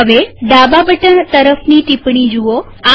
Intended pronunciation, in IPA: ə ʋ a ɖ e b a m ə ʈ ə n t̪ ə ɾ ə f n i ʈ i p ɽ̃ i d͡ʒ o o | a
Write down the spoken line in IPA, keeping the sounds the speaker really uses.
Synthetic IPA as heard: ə ʋ e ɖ a b a b ə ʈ ə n t̪ ə ɾ ə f n i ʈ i p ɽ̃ i d͡ʒ u o | a